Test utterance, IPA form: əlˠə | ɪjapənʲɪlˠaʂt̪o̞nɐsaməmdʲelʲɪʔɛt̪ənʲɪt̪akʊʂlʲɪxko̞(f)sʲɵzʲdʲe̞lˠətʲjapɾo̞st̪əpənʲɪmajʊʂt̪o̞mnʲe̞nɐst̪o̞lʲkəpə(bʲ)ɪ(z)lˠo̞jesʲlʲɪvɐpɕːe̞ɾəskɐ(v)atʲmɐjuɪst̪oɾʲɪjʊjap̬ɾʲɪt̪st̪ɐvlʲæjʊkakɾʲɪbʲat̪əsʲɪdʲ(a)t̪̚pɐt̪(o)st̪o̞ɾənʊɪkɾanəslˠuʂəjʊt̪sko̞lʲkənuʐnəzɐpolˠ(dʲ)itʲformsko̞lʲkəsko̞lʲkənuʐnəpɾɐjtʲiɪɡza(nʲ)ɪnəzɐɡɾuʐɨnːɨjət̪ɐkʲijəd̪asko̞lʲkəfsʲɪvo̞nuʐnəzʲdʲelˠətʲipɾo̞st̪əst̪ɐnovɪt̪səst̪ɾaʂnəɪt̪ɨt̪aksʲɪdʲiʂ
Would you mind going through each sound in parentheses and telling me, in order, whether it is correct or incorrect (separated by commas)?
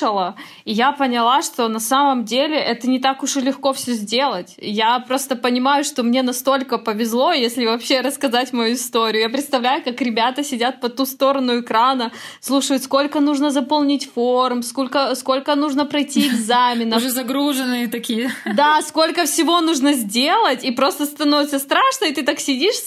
correct, incorrect, correct, incorrect, correct, incorrect, incorrect, incorrect